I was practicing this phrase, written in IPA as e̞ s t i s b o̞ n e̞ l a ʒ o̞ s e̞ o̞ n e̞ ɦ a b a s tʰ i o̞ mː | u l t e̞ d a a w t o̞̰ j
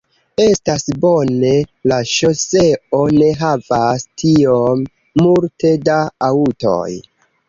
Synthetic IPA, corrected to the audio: e̞ s t a s b o̞ n e̞ l a ʃ o̞ s e̞ o̞ n e̞ ɦ a v a s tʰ i o̞ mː | u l t e̞ d a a u t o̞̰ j